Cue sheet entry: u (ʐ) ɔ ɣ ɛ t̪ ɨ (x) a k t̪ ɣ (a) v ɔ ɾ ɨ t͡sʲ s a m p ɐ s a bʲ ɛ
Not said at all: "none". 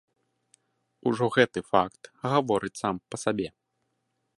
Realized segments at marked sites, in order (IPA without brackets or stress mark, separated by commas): ʐ, f, a